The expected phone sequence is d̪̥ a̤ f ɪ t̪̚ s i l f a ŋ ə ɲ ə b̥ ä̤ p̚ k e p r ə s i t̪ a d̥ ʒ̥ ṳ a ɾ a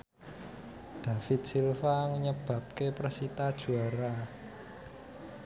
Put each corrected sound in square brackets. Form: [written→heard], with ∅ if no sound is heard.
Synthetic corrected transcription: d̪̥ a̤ f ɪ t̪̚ s i l f a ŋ ə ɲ ə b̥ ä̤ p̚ k e p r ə s i t̪ a d̥ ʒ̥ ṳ a ɾ a